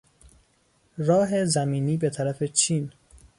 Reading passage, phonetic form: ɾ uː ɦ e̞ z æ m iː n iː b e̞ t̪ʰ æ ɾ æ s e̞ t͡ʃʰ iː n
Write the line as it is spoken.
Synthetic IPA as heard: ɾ ɒː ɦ e̞ z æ m iː n iː b e̞ t̪ʰ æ ɾ æ f e̞ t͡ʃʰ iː n